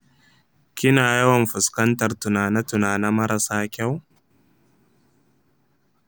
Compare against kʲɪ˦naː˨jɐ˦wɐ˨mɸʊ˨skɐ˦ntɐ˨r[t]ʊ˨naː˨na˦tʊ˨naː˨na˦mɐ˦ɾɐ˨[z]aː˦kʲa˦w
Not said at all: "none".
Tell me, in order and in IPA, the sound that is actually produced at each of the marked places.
t, s

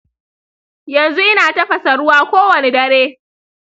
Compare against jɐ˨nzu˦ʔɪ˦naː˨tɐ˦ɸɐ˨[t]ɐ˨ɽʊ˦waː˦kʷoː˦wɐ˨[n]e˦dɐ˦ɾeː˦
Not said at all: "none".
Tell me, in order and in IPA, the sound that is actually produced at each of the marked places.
s, n

